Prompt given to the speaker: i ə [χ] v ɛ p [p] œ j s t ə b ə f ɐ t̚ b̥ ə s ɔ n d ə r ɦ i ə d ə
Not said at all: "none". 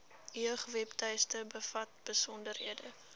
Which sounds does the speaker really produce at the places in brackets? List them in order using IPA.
χ, t

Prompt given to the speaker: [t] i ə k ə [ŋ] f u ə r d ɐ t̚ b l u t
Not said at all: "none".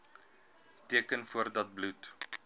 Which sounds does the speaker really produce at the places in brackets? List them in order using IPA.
t, n

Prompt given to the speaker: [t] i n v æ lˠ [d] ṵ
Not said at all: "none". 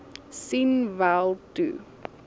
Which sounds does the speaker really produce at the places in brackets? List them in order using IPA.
s, t

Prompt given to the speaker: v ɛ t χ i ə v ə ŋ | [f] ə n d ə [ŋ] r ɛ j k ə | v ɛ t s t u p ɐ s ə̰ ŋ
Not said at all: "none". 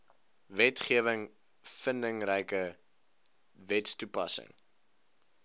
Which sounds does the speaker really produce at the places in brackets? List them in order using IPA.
f, ŋ

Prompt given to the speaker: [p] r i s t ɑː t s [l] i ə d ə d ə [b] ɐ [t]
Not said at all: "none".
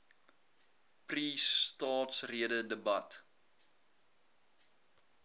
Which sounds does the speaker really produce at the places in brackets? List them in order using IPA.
p, r, b, t

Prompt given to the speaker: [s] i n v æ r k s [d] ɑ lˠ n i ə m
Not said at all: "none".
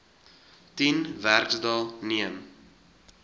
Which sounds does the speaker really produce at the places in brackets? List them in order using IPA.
t, d

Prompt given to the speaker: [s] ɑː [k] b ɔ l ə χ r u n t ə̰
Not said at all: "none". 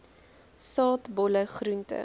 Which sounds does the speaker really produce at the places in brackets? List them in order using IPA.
s, t

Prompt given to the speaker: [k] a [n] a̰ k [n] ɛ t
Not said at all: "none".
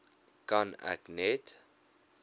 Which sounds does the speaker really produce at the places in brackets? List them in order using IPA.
k, n, n

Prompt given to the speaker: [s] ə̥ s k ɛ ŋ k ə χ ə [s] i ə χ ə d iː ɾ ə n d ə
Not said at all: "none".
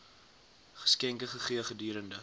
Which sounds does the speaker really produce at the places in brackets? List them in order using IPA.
χ, χ

